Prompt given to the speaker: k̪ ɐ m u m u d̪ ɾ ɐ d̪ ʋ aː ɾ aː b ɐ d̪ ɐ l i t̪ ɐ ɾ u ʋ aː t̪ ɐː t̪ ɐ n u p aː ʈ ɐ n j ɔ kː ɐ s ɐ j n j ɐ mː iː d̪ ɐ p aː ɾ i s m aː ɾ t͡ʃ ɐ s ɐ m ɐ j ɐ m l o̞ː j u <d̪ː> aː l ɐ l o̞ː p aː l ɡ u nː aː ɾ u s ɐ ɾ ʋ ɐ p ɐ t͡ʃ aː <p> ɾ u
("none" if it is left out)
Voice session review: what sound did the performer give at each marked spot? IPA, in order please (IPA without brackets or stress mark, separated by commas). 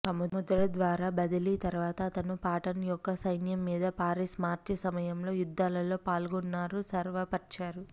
d̪ː, none